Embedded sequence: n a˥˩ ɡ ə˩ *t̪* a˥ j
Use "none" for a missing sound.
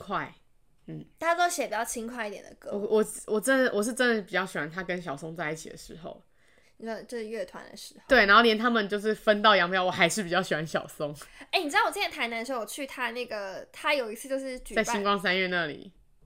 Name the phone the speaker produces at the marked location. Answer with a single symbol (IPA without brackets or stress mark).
t̪ʰ